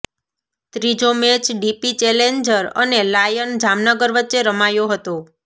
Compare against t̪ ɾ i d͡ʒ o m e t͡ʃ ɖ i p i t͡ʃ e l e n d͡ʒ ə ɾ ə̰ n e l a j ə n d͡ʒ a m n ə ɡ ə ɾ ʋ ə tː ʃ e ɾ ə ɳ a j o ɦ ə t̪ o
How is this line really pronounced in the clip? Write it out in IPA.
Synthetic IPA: t̪ ɾ i d͡ʒ o m e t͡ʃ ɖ i p i t͡ʃ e l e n d͡ʒ ə ɾ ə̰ n e l a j ə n d͡ʒ a m n ə ɡ ə ɾ ʋ ə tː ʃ e ɾ ə m a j o ɦ ə t̪ o